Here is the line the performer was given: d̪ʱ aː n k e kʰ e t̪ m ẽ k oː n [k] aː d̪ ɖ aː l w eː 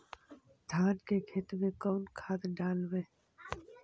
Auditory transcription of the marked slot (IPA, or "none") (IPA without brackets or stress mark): kʰ